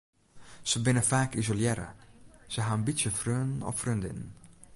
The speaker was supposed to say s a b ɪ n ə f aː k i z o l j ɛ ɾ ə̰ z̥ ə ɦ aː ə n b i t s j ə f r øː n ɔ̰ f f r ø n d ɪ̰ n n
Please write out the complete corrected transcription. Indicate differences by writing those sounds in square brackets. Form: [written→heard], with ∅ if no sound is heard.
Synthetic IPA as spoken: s [a→ə] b ɪ n ə f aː k i z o l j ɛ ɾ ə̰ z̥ ə ɦ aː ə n b i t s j ə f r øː n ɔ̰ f f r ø n d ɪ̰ n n

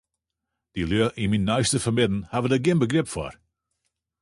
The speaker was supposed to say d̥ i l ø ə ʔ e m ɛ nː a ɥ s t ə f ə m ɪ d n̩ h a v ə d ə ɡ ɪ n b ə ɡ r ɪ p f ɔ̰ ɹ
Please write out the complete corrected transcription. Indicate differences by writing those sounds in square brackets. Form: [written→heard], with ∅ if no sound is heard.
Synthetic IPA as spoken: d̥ i l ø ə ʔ [e→i] m [ɛ→i] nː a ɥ s t ə f ə m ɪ d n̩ h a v ə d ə ɡ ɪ n b ə ɡ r ɪ p f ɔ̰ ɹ

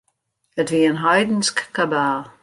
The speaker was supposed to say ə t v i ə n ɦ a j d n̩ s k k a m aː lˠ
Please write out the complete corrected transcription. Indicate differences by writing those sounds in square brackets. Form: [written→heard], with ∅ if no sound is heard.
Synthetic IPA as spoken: ə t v i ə n ɦ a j d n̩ s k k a [m→b] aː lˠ

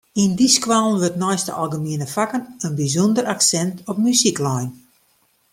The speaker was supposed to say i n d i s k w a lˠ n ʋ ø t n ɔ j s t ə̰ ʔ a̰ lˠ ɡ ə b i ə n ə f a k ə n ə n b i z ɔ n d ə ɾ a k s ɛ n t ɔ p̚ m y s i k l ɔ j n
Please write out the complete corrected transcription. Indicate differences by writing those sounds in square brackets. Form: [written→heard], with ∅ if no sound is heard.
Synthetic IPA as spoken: i n d i s k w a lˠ n ʋ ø t n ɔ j s t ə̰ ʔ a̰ lˠ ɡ ə [b→m] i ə n ə f a k ə n ə n b i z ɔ n d ə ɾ a k s ɛ n t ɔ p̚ m y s i k l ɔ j n

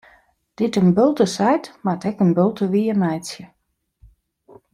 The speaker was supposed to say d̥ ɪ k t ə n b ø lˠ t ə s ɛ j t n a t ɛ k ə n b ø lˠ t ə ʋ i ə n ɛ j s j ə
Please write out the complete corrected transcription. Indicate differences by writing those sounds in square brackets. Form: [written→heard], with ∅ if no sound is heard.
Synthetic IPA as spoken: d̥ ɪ [k→∅] t ə n b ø lˠ t ə s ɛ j t [n→m] a t ɛ k ə n b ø lˠ t ə ʋ i ə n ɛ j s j ə

